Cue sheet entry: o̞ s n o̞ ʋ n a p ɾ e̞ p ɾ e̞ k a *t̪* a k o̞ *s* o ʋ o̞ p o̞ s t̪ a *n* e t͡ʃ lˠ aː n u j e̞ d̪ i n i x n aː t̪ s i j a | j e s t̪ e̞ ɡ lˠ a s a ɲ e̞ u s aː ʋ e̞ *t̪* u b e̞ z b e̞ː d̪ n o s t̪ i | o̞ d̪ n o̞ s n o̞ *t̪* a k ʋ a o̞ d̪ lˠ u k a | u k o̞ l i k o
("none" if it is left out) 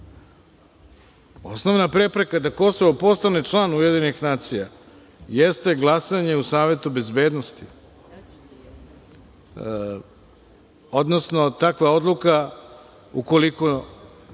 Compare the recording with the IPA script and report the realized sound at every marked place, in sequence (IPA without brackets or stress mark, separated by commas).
d̪, s, n, t̪, t̪